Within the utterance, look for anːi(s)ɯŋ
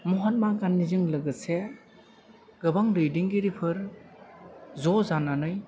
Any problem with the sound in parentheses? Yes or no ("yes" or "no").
yes